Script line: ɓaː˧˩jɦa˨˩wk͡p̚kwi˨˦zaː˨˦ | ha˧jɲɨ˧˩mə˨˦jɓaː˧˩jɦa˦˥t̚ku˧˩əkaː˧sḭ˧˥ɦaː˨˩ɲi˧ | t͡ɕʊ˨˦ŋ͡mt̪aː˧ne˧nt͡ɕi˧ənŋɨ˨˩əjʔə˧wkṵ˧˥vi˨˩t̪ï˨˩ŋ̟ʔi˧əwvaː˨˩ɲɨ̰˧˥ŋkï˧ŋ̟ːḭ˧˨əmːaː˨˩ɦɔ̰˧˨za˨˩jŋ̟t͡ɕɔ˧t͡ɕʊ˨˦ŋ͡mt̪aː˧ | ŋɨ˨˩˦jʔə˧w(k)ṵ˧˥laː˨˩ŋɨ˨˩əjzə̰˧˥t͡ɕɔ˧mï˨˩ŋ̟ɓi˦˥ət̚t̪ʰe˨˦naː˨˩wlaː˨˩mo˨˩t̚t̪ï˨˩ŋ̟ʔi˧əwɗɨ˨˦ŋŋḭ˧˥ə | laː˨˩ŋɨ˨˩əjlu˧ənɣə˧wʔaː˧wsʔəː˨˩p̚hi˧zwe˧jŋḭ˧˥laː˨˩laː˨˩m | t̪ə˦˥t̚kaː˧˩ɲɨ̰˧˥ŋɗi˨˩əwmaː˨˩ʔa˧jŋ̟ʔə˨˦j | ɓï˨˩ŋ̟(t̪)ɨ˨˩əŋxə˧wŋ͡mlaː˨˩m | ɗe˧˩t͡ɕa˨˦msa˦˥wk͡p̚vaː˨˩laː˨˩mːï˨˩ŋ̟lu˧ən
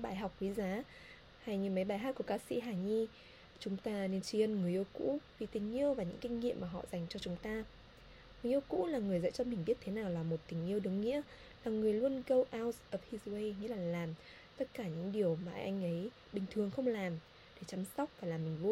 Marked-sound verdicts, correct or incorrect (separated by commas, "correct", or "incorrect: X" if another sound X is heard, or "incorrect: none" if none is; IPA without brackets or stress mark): correct, incorrect: t̪ʰ